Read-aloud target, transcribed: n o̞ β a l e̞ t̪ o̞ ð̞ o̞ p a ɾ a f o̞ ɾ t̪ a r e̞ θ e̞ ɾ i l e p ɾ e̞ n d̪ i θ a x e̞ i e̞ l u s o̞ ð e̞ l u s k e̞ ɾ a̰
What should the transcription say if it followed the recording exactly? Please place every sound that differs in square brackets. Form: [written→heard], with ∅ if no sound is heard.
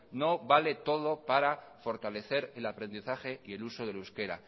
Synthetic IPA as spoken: n o̞ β a l e̞ t̪ o̞ ð̞ o̞ p a ɾ a f o̞ ɾ t̪ a [r→l] e̞ θ e̞ ɾ [i→e] l [e→a] p ɾ e̞ n d̪ i θ a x e̞ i e̞ l u s o̞ ð e̞ l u s k e̞ ɾ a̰